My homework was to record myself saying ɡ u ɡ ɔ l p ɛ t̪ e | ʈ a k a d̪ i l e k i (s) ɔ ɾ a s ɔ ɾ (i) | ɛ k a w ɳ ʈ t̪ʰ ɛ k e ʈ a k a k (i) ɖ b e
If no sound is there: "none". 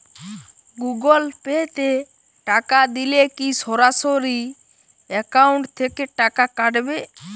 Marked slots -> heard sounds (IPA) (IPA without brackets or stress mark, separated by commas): s, i, a